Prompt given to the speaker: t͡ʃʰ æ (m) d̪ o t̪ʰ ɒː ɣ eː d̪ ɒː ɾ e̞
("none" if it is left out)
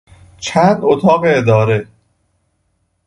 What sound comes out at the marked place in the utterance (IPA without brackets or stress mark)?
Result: n